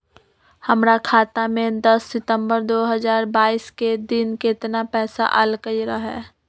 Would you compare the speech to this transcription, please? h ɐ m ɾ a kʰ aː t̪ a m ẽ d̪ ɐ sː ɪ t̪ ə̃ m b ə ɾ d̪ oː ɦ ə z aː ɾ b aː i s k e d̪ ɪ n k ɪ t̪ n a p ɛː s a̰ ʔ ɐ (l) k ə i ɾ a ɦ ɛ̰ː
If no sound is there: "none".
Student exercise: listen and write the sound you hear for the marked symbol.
l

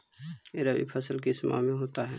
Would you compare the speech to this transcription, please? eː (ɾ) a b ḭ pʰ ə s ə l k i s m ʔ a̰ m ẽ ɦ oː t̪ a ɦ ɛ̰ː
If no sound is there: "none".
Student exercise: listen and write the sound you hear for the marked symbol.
ɾ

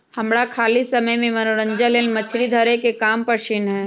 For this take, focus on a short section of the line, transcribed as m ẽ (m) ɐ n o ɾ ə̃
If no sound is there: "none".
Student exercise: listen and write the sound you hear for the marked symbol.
m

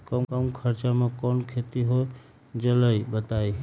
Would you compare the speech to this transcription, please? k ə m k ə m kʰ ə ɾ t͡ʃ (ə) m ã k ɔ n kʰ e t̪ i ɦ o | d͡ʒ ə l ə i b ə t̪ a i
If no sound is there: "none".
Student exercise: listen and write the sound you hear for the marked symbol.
a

